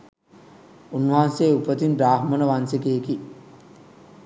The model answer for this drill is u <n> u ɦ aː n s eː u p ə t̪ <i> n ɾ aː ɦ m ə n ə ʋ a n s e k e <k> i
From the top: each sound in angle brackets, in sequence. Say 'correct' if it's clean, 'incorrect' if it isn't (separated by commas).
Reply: incorrect, correct, correct